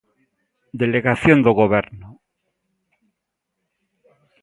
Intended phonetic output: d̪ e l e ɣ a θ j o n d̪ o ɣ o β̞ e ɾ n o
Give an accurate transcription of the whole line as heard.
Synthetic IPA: d̪ e l e ɣ a θ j o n d̪ o ɣ o β̞ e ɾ n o

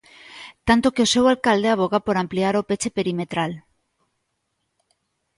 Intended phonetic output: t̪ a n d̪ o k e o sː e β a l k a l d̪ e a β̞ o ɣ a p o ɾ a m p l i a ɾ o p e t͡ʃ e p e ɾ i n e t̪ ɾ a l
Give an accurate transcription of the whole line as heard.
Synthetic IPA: t̪ a n t̪ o k e o s e w a l k a l d̪ e a β̞ o ɣ a p o ɾ a m p l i a ɾ o p e t͡ʃ e p e ɾ i m e t̪ ɾ a l

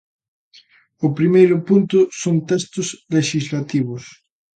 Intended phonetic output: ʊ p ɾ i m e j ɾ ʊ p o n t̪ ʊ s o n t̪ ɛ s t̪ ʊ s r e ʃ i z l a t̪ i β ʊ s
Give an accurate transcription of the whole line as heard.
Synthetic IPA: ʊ p ɾ i m e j ɾ ʊ p u n t̪ ʊ s o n t̪ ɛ s t̪ ʊ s l e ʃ i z l a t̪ i β ʊ s

